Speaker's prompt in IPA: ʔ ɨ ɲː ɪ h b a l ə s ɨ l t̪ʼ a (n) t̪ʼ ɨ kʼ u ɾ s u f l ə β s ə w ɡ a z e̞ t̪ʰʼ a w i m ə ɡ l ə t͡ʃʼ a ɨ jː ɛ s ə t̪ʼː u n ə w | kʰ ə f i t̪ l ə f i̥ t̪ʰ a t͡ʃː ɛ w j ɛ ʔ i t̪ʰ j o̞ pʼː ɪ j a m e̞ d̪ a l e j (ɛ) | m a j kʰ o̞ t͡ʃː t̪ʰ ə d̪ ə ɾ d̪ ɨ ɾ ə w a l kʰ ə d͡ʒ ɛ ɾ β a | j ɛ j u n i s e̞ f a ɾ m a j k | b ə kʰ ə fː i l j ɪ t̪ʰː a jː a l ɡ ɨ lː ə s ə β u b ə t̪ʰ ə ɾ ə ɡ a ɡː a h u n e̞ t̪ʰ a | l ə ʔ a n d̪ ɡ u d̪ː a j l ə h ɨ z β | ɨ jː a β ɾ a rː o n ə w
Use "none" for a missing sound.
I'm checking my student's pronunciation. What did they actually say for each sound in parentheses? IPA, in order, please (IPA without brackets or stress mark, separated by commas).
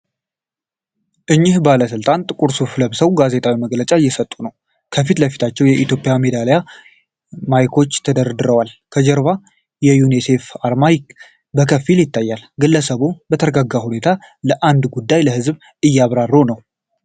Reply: n, a